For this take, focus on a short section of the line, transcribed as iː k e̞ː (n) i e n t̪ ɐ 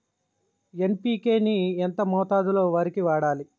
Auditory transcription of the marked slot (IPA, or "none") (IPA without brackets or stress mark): n